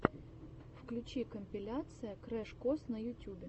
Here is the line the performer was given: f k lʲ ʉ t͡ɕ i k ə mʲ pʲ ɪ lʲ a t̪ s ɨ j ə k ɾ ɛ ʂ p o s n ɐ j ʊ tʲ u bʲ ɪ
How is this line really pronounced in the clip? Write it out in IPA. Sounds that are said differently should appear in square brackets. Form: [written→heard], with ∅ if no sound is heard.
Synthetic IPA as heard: f k lʲ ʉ t͡ɕ i k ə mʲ pʲ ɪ lʲ a t̪ s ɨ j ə k ɾ ɛ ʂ [p→k] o s n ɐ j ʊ tʲ u bʲ ɪ

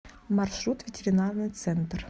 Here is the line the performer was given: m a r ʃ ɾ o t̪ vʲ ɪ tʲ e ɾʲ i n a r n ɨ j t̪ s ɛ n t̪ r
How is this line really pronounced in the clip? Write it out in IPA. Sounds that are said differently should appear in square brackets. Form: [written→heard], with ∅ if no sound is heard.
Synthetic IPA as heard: m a r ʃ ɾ [o→u] t̪ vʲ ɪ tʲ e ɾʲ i n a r n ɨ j t̪ s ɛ n t̪ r

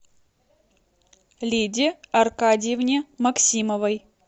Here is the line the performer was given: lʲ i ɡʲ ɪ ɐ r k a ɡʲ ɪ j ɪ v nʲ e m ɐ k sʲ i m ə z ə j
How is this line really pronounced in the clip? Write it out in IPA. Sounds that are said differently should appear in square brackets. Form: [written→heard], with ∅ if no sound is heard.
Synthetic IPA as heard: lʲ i [ɡʲ→dʲ] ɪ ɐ r k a [ɡʲ→dʲ] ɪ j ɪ v nʲ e m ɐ k sʲ i m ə [z→v] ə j

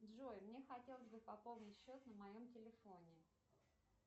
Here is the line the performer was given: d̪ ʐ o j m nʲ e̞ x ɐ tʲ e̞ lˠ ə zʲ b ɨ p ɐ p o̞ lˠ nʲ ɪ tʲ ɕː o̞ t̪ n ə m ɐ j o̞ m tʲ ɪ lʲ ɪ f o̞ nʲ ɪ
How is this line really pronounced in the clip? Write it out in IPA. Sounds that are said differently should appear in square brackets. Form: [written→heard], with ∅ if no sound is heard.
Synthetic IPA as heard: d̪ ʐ o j m nʲ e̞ x ɐ tʲ e̞ lˠ ə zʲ b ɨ p ɐ p o̞ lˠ nʲ ɪ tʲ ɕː o̞ t̪ n ə m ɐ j o̞ m tʲ ɪ lʲ ɪ f o̞ nʲ ɪ

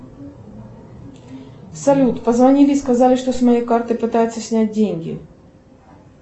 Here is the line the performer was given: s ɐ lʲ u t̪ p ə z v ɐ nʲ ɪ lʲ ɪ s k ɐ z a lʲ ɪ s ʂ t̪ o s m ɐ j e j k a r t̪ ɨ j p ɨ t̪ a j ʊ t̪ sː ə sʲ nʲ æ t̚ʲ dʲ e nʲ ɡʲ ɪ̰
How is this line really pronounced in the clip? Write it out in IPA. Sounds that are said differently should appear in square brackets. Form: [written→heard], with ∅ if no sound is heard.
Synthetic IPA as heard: s ɐ lʲ u t̪ p ə z v ɐ nʲ [ɪ→i] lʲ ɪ s k ɐ z a lʲ ɪ [s→∅] ʂ t̪ o s m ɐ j e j k a r t̪ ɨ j p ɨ t̪ a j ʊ t̪ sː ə sʲ nʲ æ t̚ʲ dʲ e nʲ ɡʲ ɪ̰

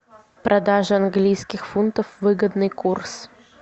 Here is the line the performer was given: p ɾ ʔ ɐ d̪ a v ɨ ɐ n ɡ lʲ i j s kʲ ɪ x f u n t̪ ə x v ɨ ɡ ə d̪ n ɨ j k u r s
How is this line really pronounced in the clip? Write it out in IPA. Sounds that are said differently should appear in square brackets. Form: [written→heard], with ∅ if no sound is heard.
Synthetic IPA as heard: p ɾ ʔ ɐ d̪ a [v→ʐ] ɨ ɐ n ɡ lʲ i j s kʲ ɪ x f u n t̪ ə [x→f] v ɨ ɡ ə d̪ n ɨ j k u r s

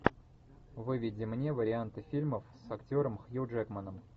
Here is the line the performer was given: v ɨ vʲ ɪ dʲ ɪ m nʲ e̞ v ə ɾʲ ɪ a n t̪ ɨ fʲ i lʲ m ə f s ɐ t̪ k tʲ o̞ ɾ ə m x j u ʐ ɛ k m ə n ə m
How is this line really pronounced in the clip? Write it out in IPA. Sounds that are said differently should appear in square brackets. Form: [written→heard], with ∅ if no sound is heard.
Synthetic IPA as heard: v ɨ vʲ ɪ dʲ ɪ m nʲ e̞ v ə ɾʲ ɪ a n t̪ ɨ fʲ i lʲ m ə f s ɐ [t̪→∅] k tʲ o̞ ɾ ə m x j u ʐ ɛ k m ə n ə m

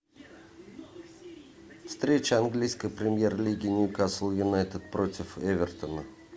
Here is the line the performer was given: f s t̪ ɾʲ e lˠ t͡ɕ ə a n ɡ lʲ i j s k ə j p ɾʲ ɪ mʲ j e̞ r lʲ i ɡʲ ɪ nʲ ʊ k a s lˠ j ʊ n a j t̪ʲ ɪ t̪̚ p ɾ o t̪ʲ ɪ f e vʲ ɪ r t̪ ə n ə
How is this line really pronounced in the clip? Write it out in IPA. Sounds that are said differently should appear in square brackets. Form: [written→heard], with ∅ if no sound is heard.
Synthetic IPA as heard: f s t̪ ɾʲ e [lˠ→∅] t͡ɕ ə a n ɡ lʲ i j s k ə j p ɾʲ ɪ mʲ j e̞ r lʲ i ɡʲ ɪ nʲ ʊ k a s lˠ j ʊ n a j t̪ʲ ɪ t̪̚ p ɾ o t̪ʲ ɪ f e vʲ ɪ r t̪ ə n ə

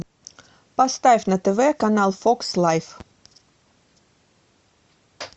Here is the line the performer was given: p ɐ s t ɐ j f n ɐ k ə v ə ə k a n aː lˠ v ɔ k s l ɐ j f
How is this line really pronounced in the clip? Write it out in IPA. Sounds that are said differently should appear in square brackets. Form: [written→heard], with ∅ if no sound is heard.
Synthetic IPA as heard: p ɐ s t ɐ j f n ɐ [k→t] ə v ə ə k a n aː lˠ [v→f] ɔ k s l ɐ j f

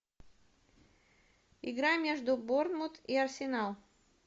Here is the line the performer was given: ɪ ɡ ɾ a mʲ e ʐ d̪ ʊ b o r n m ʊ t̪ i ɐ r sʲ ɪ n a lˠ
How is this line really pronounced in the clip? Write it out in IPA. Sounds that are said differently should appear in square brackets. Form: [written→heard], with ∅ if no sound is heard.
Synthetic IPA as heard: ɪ ɡ ɾ a mʲ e ʐ d̪ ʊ b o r n m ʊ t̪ i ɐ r sʲ ɪ n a lˠ

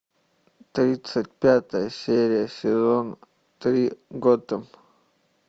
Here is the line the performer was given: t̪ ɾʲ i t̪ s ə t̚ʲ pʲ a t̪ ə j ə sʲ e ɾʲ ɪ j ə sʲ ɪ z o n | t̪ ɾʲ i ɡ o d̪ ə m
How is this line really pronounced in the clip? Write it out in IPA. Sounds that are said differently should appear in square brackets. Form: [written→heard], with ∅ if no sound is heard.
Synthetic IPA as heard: t̪ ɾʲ i t̪ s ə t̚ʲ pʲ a t̪ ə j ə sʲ e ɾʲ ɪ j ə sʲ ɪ z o n | t̪ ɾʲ i ɡ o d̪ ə m

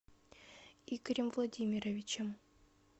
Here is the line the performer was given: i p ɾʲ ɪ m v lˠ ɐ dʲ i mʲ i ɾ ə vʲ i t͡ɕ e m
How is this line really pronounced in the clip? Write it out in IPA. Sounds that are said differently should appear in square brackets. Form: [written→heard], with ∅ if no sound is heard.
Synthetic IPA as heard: i [p→k] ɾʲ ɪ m v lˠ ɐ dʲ i mʲ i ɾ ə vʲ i t͡ɕ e m

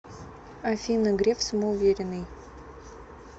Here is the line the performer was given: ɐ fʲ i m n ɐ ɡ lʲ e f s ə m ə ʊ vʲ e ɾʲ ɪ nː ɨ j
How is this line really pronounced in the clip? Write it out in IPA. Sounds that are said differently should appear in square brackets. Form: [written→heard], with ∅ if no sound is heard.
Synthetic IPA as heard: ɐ fʲ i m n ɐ ɡ [lʲ→ɾʲ] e f s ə m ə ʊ vʲ e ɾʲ ɪ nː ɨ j

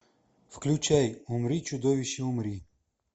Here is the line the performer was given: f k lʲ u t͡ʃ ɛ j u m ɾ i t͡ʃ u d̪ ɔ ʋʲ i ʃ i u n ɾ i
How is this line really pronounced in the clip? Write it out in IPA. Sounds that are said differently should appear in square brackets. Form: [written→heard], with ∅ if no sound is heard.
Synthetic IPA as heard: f k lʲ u t͡ʃ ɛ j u m ɾ i t͡ʃ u d̪ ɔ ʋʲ i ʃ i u [n→m] ɾ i

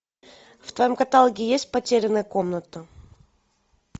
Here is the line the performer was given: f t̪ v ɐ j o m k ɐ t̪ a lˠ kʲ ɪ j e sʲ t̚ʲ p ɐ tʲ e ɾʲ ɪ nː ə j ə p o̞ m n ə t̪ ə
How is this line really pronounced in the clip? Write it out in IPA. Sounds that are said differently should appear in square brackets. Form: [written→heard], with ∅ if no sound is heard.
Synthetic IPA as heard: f t̪ v ɐ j o m k ɐ t̪ a lˠ [kʲ→ɡʲ] ɪ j e sʲ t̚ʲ p ɐ tʲ e ɾʲ ɪ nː ə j ə [p→k] o̞ m n ə t̪ ə

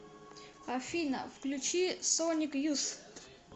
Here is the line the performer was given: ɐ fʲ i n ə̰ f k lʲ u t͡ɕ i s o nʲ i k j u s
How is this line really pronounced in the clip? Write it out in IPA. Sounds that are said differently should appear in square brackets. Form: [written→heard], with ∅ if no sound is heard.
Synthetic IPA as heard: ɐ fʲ i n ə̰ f k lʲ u t͡ɕ i s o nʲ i k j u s

